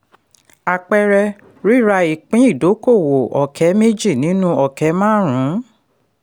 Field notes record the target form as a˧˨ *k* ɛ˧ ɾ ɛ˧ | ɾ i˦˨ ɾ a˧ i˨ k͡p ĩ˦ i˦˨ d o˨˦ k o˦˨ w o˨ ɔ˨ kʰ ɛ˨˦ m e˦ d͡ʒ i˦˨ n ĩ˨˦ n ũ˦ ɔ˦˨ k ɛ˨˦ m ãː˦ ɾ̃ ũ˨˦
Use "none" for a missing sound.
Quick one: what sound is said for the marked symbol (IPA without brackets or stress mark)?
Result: k͡p